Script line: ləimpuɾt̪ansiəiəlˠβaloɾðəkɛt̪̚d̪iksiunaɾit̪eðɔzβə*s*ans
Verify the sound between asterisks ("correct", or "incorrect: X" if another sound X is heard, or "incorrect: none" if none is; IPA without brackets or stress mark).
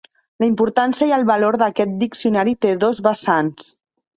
correct